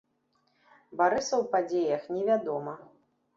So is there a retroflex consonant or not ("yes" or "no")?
no